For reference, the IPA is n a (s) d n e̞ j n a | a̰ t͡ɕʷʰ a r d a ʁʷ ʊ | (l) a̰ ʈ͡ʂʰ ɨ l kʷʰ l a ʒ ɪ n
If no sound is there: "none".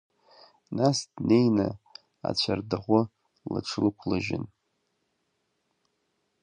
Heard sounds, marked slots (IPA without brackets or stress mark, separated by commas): s, l